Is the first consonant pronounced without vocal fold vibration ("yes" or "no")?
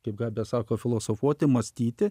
yes